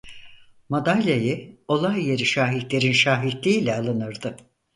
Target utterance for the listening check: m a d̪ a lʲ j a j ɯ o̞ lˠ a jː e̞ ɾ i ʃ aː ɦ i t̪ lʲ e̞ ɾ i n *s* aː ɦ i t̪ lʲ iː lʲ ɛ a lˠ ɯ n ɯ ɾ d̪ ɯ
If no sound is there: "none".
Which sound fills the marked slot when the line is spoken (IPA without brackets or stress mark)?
ʃ